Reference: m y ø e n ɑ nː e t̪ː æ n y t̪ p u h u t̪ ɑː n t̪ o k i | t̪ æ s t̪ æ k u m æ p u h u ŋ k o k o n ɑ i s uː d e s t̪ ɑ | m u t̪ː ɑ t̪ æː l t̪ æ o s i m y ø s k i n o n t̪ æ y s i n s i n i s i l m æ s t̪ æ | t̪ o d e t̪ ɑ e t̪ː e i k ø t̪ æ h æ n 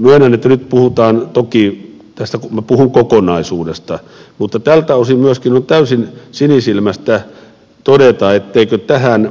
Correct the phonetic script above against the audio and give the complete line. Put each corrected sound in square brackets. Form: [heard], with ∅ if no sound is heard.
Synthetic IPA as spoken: m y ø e n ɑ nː e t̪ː æ n y t̪ p u h u t̪ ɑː n t̪ o k i | t̪ æ s t̪ æ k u m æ p u h u ŋ k o k o n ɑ i s uː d e s t̪ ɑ | m u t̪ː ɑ t̪ [æ] l t̪ æ o s i m y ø s k i n o n t̪ æ y s i n s i n i s i l m æ s t̪ æ | t̪ o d e t̪ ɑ e t̪ː e i k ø t̪ æ h æ n